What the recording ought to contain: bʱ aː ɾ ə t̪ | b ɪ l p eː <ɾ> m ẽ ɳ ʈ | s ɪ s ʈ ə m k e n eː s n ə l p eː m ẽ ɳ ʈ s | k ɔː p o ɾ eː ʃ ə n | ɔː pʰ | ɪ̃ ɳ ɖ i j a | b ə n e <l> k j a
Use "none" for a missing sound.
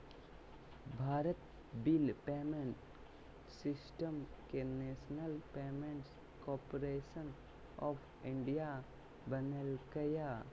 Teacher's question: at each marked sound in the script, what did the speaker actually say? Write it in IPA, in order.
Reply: none, l

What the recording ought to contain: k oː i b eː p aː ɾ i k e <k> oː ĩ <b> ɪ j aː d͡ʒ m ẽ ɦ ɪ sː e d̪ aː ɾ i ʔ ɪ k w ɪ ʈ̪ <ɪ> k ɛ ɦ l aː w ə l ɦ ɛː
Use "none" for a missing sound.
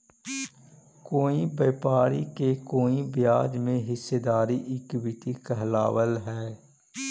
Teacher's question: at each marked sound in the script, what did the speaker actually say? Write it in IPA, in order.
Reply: k, b, i

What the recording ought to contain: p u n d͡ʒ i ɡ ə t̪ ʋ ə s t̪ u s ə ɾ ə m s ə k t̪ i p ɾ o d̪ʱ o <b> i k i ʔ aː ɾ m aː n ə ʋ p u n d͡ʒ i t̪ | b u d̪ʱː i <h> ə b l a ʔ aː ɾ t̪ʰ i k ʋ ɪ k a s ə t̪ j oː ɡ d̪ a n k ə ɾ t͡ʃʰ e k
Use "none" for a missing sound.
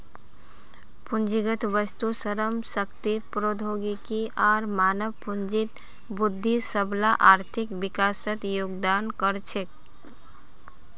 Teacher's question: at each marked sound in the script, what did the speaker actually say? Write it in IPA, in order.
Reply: ɡ, s

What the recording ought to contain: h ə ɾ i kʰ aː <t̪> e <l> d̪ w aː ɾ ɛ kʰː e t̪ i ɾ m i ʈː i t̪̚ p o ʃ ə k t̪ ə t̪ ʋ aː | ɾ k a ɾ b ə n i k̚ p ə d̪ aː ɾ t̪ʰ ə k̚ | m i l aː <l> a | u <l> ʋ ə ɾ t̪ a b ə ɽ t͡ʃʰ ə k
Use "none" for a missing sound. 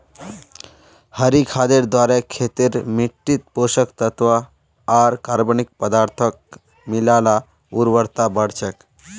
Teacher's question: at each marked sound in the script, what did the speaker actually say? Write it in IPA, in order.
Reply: d̪, ɾ, l, ɾ

